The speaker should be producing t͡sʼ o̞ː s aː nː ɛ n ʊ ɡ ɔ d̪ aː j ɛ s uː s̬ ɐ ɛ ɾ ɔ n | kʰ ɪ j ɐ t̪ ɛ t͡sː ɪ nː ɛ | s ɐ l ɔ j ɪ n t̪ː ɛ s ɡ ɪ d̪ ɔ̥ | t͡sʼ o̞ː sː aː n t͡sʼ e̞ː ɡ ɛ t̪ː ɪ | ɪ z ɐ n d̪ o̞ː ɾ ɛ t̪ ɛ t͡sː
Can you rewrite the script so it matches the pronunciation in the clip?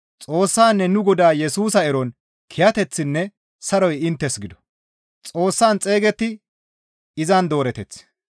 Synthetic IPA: t͡sʼ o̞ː sː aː nː ɛ n ʊ ɡ ɔ d̪ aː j ɛ s uː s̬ ɐ ɛ ɾ ɔ n | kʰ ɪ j ɐ t̪ ɛ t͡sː ɪ nː ɛ | s ɐ ɾ ɔ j ɪ n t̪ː ɛ s ɡ ɪ d̪ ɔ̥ | t͡sʼ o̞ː sː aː n t͡sʼ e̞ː ɡ ɛ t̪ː ɪ | ɪ z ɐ n d̪ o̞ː ɾ ɛ t̪ ɛ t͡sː